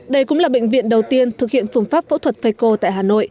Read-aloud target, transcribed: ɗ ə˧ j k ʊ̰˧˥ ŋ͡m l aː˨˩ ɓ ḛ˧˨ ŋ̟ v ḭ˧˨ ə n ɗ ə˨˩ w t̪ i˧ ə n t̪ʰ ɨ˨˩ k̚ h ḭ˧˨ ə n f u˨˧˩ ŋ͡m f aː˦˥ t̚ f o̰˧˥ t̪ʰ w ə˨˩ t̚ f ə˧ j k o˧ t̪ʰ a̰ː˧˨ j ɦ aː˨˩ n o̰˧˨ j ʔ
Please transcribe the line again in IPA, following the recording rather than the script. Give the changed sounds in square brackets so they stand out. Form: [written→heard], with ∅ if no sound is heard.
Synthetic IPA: ɗ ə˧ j k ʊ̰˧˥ ŋ͡m l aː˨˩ ɓ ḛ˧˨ ŋ̟ v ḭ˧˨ ə n ɗ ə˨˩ w t̪ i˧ ə n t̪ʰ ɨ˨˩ k̚ h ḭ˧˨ ə n f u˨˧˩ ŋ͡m f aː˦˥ [t̚→p̚] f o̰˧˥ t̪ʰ w ə˨˩ t̚ f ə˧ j k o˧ [t̪ʰ→t̪] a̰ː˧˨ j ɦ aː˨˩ n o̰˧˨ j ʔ

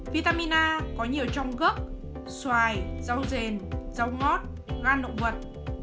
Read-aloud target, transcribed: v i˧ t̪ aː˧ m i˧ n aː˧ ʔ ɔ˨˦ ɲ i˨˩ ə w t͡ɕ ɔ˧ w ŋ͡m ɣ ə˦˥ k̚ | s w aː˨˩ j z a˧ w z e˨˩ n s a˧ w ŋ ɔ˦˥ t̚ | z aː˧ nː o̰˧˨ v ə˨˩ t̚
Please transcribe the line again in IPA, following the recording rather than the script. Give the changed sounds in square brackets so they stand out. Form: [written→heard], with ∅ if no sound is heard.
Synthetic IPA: v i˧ t̪ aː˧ m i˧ n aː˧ [ʔ→k] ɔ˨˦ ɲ i˨˩ ə w t͡ɕ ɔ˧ w ŋ͡m ɣ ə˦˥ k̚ | s w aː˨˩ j z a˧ w z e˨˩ n [s→z] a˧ w ŋ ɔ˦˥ t̚ | [z→ɣ] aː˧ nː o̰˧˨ v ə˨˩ t̚

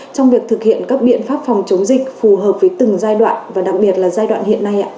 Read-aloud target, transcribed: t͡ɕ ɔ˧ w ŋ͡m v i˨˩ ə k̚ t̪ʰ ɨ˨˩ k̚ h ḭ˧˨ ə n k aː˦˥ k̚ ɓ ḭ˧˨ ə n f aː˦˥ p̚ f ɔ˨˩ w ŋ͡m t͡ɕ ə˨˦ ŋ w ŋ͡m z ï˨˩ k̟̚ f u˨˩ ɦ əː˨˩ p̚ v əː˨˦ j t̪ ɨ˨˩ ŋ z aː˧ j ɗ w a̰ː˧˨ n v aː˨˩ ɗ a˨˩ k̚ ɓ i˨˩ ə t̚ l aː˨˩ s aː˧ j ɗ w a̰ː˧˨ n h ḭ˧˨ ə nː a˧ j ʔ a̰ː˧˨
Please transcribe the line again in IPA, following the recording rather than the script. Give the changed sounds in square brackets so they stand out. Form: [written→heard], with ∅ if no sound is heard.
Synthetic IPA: t͡ɕ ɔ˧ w ŋ͡m v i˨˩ ə k̚ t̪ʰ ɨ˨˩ k̚ h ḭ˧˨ ə n k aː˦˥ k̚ ɓ ḭ˧˨ ə n f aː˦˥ p̚ f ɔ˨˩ w ŋ͡m t͡ɕ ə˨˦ [ŋ→∅] w ŋ͡m z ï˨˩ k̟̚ f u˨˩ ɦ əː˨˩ p̚ v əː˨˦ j t̪ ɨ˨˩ ŋ z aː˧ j ɗ w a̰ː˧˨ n v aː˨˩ ɗ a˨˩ k̚ ɓ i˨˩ ə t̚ l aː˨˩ [s→z] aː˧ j ɗ w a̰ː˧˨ n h ḭ˧˨ ə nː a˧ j ʔ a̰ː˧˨

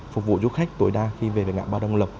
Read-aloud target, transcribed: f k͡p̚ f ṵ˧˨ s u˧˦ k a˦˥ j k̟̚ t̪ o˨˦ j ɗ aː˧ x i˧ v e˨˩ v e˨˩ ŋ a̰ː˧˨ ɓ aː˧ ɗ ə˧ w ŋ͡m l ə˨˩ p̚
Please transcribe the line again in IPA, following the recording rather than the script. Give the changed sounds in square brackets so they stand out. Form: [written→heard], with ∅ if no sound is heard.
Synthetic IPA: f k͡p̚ [f→v] ṵ˧˨ [s→z] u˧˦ [k→x] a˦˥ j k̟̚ t̪ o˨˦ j ɗ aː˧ x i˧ v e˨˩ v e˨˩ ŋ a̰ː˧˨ ɓ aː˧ ɗ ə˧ w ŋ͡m l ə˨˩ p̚

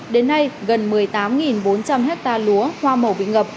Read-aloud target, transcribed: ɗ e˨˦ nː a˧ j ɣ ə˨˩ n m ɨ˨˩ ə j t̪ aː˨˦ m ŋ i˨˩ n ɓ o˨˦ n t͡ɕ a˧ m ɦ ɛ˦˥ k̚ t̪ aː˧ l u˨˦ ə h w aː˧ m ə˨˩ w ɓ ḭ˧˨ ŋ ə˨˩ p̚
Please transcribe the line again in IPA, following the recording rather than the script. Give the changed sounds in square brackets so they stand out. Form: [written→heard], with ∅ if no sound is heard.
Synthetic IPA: ɗ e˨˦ nː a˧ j ɣ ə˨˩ n m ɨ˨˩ ə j t̪ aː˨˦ m ŋ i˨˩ n ɓ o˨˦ n t͡ɕ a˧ m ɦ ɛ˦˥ k̚ t̪ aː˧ l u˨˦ ə h w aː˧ m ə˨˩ w ɓ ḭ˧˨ ŋ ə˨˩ p̚

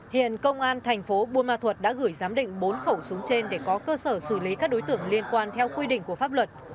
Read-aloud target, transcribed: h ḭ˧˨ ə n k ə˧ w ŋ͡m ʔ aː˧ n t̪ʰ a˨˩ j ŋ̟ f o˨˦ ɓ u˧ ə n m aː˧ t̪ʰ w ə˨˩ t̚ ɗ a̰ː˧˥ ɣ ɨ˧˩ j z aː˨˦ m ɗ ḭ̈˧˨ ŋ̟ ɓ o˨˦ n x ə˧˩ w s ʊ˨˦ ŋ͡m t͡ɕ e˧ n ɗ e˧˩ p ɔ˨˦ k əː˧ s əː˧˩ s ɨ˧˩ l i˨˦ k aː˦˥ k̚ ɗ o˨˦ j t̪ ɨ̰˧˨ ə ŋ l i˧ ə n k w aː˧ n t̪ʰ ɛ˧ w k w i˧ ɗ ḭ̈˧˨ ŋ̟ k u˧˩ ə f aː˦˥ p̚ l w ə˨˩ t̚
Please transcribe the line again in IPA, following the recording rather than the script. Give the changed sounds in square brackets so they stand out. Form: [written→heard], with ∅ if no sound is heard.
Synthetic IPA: h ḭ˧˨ ə n k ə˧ w ŋ͡m ʔ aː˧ n t̪ʰ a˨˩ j ŋ̟ f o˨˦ ɓ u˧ ə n m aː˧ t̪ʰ w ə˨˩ t̚ ɗ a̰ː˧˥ ɣ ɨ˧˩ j z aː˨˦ m ɗ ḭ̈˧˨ ŋ̟ ɓ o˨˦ n x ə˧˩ w s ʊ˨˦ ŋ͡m t͡ɕ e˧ n ɗ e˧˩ [p→k] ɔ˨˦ k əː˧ s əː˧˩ s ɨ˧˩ l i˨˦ k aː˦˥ k̚ ɗ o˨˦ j t̪ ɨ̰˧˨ ə ŋ l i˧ ə n k w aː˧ n t̪ʰ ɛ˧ w k w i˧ ɗ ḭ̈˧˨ ŋ̟ k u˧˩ ə f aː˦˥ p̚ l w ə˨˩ t̚

